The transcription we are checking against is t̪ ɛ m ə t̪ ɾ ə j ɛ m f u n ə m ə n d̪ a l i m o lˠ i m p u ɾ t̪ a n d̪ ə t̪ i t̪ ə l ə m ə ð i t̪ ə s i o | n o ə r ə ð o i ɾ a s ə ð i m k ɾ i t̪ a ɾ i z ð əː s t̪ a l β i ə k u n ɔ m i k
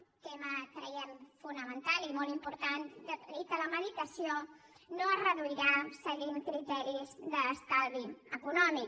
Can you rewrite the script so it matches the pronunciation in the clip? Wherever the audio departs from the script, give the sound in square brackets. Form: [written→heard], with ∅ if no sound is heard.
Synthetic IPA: t̪ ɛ m ə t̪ ɾ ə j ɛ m f u n ə m ə n [d̪→t̪] a l i m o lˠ i m p u ɾ t̪ a n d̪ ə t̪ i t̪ ə l ə m ə ð i t̪ ə s i o | n o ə r ə ð [o→u] i ɾ a s ə [ð→ɣ] i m k ɾ i t̪ [a→ɛ] ɾ i z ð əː s t̪ a l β i ə k u n ɔ m i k